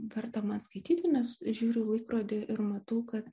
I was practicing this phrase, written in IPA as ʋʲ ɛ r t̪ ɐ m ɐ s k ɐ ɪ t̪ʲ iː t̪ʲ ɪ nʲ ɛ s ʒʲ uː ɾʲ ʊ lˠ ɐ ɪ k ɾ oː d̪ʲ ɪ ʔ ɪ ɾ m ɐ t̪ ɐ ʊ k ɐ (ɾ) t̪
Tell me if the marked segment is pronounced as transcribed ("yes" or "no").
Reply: no